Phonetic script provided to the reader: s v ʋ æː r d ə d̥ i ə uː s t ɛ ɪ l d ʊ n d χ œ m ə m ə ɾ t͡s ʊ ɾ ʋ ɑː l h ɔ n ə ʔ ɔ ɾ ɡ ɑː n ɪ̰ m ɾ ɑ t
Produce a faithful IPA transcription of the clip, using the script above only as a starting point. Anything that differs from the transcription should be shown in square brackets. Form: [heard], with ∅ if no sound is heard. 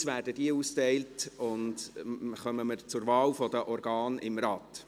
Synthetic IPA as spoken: s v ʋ æː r d ə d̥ i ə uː s t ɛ ɪ l [t] ʊ n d χ œ m ə m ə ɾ t͡s ʊ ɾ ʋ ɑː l [f] ɔ [d] ə ʔ ɔ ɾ ɡ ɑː n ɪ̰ m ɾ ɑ t